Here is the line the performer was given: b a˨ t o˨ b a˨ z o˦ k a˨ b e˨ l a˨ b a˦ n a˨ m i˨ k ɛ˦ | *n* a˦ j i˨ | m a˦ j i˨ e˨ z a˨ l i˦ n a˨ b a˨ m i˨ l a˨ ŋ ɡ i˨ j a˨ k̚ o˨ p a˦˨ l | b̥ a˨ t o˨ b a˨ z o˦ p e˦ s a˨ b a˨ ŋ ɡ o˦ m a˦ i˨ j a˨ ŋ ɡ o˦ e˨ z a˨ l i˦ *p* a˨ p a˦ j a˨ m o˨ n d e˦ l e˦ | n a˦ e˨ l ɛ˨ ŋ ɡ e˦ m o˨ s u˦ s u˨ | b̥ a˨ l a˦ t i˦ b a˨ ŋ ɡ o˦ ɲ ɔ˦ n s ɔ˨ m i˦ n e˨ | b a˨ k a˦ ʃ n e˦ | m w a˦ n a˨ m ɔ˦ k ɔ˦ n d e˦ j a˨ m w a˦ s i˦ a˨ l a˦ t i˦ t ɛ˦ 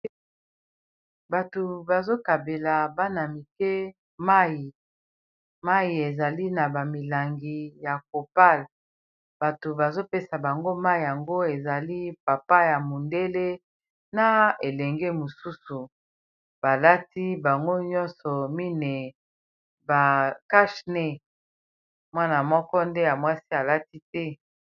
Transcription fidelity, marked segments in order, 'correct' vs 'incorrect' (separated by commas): incorrect, correct